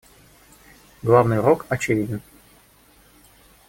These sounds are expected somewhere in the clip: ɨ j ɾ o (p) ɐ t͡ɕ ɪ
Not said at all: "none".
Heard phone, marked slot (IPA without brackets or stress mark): k